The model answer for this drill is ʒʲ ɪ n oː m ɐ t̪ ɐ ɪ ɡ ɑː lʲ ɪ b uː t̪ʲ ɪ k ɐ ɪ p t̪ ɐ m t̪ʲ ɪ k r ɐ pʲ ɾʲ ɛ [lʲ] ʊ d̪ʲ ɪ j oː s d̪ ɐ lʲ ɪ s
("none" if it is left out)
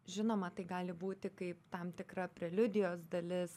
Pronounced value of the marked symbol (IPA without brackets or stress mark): lʲ